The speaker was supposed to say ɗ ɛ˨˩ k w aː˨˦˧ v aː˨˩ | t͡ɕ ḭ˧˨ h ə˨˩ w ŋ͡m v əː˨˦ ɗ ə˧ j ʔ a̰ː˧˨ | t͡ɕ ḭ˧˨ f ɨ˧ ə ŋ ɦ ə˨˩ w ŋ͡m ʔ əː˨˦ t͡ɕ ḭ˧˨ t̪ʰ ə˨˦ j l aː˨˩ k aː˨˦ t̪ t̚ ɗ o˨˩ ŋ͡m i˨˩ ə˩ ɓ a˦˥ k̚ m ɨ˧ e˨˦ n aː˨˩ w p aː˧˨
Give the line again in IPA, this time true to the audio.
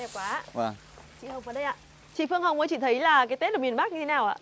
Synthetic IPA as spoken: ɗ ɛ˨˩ k w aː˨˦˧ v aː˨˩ | t͡ɕ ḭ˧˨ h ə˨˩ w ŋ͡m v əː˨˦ ɗ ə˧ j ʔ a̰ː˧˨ | t͡ɕ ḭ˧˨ f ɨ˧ ə ŋ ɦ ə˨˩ w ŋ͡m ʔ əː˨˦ t͡ɕ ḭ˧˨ t̪ʰ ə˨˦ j l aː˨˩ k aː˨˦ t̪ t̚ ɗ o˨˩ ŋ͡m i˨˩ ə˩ ɓ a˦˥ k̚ ɲ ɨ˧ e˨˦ n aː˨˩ w ʔ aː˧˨